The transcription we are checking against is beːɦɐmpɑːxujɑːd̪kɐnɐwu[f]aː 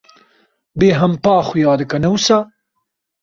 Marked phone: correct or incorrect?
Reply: incorrect